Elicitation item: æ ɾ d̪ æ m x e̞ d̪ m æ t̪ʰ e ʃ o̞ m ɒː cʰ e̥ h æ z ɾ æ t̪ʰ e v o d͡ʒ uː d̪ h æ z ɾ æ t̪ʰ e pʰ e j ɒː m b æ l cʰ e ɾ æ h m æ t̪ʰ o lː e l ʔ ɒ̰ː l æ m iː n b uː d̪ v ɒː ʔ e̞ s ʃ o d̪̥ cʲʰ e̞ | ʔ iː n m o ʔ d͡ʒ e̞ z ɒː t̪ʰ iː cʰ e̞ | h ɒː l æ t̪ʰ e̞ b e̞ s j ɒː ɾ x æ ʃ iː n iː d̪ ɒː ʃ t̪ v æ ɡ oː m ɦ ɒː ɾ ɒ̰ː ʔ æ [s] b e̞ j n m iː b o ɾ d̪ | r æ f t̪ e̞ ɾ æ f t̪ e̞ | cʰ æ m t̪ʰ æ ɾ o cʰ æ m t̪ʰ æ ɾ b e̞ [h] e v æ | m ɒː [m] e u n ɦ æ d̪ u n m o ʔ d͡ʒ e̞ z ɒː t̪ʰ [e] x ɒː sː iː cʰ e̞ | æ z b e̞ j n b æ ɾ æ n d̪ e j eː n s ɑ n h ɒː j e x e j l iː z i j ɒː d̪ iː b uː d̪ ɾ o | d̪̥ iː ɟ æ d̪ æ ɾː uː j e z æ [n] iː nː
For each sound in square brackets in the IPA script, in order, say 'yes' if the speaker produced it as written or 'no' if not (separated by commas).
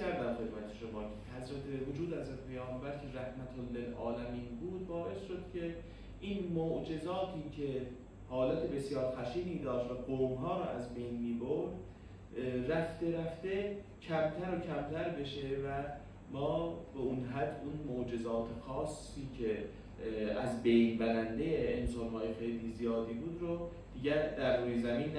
no, no, no, yes, no